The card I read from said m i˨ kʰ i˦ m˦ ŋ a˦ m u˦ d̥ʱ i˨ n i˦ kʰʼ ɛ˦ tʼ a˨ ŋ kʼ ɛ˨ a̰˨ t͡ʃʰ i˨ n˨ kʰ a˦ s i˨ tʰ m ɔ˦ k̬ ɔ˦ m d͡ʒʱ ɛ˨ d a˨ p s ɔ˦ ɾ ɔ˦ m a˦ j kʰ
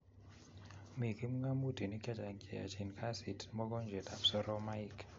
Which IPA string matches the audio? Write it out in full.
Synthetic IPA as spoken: m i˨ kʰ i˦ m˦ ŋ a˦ m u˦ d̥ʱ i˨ n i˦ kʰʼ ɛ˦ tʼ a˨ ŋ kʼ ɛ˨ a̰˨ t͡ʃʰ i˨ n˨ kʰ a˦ s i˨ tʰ m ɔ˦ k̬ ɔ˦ n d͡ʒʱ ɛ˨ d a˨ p s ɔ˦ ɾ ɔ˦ m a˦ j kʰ